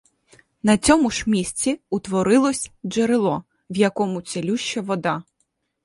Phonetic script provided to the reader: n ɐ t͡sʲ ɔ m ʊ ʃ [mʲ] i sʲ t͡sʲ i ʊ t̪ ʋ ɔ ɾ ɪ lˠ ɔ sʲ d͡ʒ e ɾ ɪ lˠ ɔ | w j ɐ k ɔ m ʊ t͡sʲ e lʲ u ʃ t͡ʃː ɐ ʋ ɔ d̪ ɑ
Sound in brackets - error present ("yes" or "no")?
no